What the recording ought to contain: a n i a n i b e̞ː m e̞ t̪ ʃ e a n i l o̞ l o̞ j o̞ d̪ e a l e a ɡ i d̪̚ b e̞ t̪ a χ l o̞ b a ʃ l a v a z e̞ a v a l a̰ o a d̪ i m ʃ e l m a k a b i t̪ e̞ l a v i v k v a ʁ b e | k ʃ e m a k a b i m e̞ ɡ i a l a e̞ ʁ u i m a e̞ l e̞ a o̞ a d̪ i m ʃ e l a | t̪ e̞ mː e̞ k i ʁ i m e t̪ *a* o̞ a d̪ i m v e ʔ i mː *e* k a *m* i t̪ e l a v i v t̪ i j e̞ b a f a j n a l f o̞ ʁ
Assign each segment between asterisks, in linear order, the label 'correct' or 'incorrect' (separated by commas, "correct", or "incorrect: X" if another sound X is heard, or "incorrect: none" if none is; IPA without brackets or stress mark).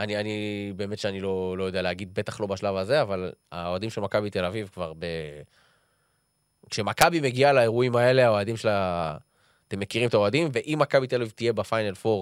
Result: correct, incorrect: a, incorrect: b